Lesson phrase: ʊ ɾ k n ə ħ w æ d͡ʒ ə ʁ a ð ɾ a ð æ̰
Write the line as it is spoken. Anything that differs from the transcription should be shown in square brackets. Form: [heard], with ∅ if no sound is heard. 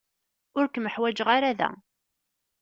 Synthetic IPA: ʊ ɾ k [m] ə ħ w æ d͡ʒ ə ʁ a [∅] ɾ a ð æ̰